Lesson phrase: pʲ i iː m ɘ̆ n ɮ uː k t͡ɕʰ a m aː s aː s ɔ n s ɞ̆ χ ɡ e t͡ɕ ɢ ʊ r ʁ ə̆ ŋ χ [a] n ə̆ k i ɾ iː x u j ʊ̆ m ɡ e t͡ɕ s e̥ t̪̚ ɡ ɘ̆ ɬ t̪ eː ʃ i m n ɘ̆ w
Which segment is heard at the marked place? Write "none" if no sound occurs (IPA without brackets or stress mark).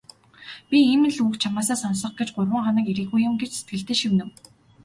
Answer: a